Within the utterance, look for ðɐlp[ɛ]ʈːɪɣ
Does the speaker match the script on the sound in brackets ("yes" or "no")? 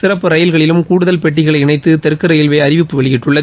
yes